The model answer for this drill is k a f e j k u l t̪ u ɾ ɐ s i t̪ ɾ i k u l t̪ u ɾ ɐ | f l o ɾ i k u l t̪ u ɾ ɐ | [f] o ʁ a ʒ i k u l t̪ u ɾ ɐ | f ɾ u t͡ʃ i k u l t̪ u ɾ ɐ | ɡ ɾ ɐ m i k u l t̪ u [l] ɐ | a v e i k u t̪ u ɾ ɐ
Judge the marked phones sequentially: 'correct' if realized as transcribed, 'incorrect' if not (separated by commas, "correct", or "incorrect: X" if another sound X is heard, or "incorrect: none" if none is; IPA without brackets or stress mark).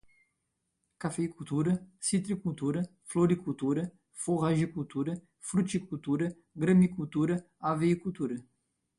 correct, incorrect: ɾ